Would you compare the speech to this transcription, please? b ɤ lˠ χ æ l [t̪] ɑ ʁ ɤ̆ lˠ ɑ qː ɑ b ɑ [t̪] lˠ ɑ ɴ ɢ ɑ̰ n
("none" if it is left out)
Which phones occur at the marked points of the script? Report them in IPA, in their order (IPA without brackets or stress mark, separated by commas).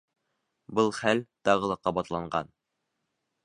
t̪, t̪